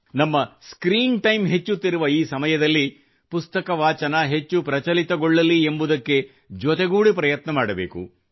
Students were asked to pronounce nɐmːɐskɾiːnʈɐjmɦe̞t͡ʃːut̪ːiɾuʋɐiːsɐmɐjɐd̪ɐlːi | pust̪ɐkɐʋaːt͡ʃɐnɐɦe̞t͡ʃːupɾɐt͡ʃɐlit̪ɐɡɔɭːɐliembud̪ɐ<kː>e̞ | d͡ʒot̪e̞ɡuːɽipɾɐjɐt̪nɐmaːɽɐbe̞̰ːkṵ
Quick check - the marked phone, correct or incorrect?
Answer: correct